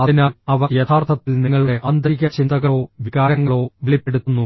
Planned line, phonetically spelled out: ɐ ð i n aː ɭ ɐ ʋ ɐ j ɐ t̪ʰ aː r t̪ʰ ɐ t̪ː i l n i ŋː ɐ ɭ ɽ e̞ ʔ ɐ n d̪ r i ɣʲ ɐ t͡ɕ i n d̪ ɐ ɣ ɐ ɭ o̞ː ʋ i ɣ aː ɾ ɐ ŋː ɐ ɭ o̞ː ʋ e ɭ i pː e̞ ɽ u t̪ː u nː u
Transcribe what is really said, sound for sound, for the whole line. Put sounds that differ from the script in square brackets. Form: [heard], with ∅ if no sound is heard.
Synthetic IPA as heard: ɐ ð i n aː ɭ ɐ ʋ ɐ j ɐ t̪ʰ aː r t̪ʰ ɐ t̪ː i l n i ŋː ɐ ɭ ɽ e̞ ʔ ɐ n d̪ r i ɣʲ ɐ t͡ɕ i n d̪ ɐ ɣ ɐ ɭ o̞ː ʋ i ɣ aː ɾ ɐ ŋː ɐ ɭ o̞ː ʋ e ɭ i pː e̞ ɽ u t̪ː u nː u